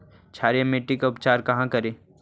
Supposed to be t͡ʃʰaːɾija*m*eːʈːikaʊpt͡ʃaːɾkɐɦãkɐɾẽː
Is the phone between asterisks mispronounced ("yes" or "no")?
no